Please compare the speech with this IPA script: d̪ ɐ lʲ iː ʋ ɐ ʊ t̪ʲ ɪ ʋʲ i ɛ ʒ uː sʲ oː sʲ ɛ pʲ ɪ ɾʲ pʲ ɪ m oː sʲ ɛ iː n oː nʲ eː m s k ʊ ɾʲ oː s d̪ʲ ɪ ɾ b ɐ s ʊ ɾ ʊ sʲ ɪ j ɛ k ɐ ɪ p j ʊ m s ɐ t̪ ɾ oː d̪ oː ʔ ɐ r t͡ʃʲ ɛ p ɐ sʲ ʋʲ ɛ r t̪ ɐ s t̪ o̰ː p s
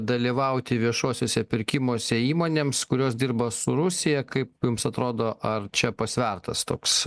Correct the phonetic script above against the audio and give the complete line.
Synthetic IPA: d̪ ɐ lʲ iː ʋ ɐ ʊ t̪ʲ ɪ ʋʲ i ɛ ʃ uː sʲ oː sʲ ɛ pʲ ɪ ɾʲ kʲ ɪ m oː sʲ ɛ iː m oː nʲ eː m s k ʊ ɾʲ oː s d̪ʲ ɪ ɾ b ɐ s ʊ ɾ ʊ sʲ ɪ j ɛ k ɐ ɪ p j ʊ m s ɐ t̪ ɾ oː d̪ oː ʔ ɐ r t͡ʃʲ ɛ p ɐ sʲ ʋʲ ɛ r t̪ ɐ s t̪ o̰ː k s